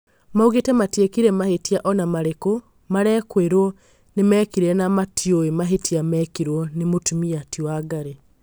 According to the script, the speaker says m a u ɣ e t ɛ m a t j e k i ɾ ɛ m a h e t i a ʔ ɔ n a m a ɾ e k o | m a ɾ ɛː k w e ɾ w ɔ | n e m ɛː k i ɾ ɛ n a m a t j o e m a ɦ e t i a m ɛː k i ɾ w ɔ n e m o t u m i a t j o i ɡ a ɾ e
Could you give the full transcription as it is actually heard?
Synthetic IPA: m a u ɣ e t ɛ m a t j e k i ɾ ɛ m a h e t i a ʔ ɔ n a m a ɾ e k o | m a ɾ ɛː k w e ɾ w ɔ | n e m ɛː k i ɾ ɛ n a m a t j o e m a ɦ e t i a m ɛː k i ɾ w ɔ n e m o t u m i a t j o a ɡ a ɾ e